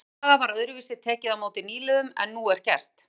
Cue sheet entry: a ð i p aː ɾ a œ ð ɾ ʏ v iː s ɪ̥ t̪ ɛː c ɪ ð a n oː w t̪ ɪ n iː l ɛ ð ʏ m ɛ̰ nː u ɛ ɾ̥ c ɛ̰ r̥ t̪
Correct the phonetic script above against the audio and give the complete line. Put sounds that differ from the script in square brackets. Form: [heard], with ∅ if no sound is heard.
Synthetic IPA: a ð [a] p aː ɾ a œ ð ɾ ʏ v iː s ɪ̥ [t̪ʰ] ɛː c ɪ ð a [m] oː w t̪ ɪ n iː l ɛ ð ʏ m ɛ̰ nː u ɛ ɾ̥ c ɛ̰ r̥ t̪